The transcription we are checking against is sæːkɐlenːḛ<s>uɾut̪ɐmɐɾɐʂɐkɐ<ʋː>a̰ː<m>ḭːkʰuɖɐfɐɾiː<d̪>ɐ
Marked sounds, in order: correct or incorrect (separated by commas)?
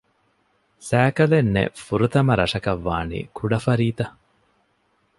incorrect, correct, incorrect, incorrect